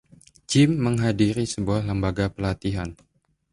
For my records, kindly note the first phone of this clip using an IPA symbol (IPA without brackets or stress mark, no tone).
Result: d͡ʒ